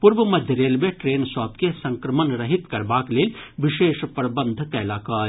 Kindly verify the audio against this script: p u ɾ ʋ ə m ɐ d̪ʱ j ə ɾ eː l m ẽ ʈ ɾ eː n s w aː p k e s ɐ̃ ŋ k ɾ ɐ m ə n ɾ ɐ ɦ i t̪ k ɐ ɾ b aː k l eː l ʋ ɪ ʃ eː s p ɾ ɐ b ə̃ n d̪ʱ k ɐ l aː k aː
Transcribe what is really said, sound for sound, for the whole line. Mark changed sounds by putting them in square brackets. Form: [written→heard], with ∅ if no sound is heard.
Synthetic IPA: p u ɾ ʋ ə m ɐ d̪ʱ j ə ɾ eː l m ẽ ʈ ɾ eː n s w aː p k e s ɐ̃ ŋ k ɾ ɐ m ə n ɾ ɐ ɦ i t̪ k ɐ ɾ b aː k l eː l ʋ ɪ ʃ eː [s→ʃ] p ɾ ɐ b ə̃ n d̪ʱ k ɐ l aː k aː

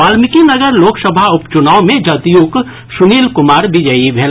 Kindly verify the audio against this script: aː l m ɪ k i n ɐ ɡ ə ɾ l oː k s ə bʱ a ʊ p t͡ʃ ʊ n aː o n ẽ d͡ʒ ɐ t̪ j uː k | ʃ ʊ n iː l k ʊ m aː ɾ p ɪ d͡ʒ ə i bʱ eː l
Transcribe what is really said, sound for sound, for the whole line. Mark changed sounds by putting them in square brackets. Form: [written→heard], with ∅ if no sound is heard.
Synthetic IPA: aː l m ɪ k i n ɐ ɡ ə ɾ l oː k s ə bʱ a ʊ p t͡ʃ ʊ n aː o [n→m] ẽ d͡ʒ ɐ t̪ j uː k | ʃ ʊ n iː l k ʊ m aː ɾ [p→b] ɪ d͡ʒ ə i bʱ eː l

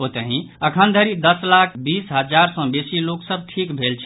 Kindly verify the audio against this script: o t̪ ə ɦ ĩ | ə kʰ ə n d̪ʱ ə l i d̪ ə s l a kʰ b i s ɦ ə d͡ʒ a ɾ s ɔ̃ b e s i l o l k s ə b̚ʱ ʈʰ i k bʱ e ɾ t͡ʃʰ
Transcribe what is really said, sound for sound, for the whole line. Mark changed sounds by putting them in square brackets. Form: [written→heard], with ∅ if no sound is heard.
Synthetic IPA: o t̪ ə ɦ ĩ | ə kʰ ə n d̪ʱ ə [l→ɾ] i d̪ ə s l a kʰ b i s ɦ ə d͡ʒ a ɾ s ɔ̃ b e s i l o [l→∅] k s ə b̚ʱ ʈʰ i k bʱ e [ɾ→l] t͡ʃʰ

